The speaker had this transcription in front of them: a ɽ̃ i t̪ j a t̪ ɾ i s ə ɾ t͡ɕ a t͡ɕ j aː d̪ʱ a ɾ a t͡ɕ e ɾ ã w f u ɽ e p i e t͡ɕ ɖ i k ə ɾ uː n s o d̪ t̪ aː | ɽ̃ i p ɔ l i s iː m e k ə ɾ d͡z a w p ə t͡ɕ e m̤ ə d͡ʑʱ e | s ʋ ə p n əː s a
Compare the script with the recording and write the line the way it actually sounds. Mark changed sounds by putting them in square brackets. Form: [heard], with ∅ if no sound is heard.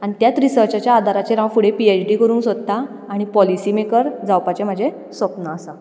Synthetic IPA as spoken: a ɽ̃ i t̪ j a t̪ ɾ i s ə ɾ t͡ɕ a t͡ɕ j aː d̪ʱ a ɾ a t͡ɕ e ɾ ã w f u ɽ e p i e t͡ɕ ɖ i k ə ɾ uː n s o d̪ t̪ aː | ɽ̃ i p ɔ l i s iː m e k ə ɾ d͡z a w p [a] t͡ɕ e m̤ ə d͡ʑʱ e | s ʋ ə p n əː s a